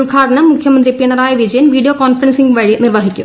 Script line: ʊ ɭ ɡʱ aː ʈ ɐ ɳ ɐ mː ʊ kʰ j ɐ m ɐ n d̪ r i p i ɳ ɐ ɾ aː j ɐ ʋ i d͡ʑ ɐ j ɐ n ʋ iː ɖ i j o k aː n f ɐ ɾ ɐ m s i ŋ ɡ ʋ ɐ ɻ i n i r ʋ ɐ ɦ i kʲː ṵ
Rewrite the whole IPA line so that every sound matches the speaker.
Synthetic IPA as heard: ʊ ɭ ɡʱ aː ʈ ɐ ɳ ɐ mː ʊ kʰ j ɐ m ɐ n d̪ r i p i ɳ ɐ ɾ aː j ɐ ʋ i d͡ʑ ɐ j ɐ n ʋ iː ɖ i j o k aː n f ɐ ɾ ɐ n s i ŋ ɡ ʋ ɐ ɻ i n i r ʋ ɐ ɦ i kʲː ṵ